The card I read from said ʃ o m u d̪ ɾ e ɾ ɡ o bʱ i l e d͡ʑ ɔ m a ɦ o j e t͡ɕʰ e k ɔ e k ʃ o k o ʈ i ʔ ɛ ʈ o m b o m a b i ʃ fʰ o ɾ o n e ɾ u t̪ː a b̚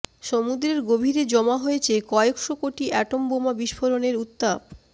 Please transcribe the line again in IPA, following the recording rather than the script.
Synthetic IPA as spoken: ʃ o m u d̪ ɾ e ɾ ɡ o bʱ i ɾ e d͡ʑ ɔ m a ɦ o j e t͡ɕʰ e k ɔ e k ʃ o k o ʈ i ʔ ɛ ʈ o m b o m a b i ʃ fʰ o ɾ o n e ɾ u t̪ː a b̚